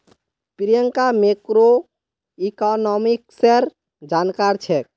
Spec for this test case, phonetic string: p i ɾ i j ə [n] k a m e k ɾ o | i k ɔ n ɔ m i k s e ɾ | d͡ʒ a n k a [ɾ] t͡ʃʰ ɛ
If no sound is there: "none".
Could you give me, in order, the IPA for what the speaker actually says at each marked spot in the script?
ŋ, ɾ

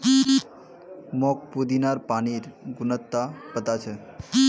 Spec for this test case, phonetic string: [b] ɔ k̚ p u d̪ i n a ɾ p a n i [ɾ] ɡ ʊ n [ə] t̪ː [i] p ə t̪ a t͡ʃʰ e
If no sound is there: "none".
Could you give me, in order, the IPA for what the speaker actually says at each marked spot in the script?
m, ɾ, ə, a

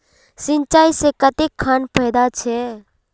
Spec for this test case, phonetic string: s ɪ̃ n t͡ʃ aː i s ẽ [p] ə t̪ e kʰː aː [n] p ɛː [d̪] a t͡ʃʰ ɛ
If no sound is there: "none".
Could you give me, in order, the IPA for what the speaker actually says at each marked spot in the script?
k, n, d̪

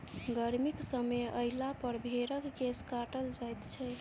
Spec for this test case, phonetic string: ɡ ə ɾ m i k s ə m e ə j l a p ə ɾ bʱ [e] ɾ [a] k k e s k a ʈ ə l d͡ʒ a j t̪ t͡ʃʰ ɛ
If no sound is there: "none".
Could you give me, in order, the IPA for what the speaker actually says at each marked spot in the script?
e, ə

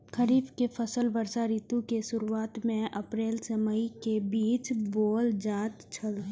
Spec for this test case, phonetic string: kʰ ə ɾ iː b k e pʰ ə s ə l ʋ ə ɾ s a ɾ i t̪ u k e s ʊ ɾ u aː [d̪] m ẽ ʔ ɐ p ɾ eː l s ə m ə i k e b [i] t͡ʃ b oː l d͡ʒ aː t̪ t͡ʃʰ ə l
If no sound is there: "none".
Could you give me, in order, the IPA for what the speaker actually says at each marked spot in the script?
t̪, iː

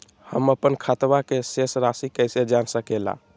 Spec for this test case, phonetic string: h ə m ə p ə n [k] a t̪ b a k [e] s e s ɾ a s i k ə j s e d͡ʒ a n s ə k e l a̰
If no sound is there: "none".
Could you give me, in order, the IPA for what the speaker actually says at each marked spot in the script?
kʰ, e

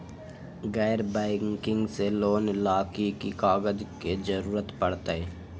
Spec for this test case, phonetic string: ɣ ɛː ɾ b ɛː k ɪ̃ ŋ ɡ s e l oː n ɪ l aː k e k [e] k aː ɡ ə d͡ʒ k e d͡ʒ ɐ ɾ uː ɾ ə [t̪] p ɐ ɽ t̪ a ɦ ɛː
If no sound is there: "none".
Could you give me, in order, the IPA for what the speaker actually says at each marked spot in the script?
i, t̪

